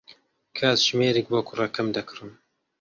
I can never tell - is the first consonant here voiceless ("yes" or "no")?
yes